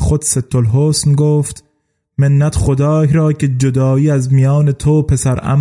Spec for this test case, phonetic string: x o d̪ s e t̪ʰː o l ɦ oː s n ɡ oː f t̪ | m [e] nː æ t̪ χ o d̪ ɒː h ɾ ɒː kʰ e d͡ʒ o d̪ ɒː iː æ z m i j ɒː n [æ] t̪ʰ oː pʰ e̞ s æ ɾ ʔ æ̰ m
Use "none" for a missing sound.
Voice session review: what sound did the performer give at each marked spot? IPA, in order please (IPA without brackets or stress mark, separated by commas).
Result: e, e